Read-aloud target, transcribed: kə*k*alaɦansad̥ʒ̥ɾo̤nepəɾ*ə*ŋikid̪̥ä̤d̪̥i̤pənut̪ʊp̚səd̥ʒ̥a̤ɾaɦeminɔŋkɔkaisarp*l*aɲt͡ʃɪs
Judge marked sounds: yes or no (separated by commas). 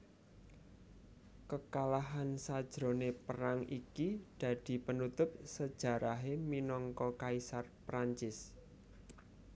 yes, no, no